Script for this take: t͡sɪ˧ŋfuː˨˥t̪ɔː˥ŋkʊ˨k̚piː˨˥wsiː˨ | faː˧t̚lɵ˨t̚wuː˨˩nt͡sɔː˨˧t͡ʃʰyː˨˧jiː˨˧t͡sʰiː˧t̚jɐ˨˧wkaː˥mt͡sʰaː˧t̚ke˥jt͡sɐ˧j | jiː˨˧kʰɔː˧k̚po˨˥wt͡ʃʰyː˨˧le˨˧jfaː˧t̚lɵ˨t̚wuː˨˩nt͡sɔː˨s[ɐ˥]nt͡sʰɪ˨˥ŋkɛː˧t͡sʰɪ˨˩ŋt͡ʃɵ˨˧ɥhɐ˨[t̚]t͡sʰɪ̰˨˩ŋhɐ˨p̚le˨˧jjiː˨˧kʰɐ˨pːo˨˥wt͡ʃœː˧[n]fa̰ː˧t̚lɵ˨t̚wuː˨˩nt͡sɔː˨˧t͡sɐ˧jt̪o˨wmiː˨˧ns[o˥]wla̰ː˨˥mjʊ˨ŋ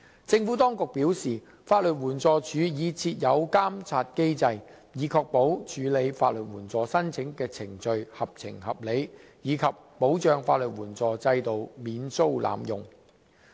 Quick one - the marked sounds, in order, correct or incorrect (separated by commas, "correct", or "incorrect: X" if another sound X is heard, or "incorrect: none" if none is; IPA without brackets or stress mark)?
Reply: correct, incorrect: p̚, incorrect: ŋ, correct